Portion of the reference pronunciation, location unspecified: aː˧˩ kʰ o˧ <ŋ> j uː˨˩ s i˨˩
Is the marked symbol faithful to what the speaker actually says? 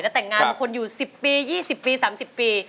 no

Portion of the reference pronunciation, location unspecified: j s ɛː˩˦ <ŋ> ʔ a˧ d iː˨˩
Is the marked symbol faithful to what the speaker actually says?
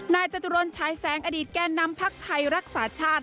yes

